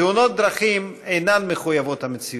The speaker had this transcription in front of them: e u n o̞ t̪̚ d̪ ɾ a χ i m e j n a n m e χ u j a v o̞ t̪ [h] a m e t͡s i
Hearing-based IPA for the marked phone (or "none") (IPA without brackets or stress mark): h